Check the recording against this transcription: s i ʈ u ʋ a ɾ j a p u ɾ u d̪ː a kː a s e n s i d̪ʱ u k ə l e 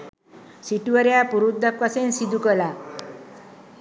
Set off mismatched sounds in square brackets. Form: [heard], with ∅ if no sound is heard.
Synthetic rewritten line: s i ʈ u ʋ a ɾ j a p u ɾ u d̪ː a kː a s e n s i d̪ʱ u k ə l [a]